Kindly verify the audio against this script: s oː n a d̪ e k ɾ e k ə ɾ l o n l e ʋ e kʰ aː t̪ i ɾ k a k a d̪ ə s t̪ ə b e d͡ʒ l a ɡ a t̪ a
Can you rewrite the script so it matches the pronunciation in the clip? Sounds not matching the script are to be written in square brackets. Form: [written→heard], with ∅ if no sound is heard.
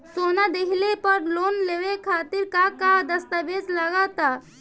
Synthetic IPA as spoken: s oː n a d̪ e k [ɾ→l] e [k→p] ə ɾ l o n l e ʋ e kʰ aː t̪ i ɾ k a k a d̪ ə s t̪ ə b e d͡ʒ l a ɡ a t̪ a